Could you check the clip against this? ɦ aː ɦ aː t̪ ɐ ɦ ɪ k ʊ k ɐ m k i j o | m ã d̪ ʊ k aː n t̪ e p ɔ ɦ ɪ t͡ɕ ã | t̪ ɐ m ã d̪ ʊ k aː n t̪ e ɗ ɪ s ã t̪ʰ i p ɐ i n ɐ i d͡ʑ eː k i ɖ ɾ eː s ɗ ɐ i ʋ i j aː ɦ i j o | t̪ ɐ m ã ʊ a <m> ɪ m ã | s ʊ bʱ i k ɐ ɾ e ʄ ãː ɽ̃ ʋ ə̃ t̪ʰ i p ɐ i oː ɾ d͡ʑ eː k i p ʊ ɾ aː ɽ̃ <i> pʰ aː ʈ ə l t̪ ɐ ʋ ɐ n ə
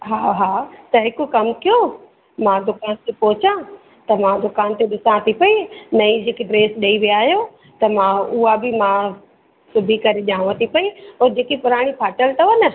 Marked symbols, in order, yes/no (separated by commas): no, yes